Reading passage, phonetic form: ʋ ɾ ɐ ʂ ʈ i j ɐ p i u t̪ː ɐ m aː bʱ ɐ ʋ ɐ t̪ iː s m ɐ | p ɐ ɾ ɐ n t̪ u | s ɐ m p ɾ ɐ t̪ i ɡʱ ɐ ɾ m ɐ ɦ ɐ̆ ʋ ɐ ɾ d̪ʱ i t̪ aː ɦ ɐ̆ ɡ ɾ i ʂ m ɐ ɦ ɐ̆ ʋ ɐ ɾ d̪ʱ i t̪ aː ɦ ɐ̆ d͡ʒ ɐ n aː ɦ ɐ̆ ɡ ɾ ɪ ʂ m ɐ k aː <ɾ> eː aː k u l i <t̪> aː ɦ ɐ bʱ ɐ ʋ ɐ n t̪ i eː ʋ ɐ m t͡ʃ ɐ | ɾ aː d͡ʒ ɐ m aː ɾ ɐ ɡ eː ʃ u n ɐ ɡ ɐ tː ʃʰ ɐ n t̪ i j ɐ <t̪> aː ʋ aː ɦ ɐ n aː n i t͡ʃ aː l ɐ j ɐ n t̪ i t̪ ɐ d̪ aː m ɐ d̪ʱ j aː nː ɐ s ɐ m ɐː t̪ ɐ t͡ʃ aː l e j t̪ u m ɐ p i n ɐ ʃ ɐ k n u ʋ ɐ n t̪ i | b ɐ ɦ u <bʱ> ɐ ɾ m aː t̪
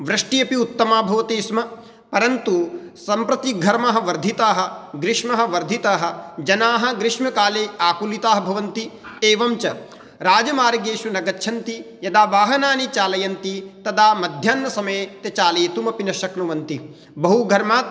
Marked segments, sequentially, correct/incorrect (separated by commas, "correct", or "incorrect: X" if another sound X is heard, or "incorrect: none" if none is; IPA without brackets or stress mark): incorrect: l, correct, incorrect: d̪, incorrect: ɡʱ